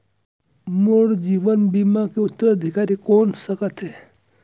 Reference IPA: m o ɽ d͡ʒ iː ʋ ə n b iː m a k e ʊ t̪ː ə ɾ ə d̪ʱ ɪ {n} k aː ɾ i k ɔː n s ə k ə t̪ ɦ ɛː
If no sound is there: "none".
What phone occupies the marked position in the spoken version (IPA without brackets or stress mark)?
none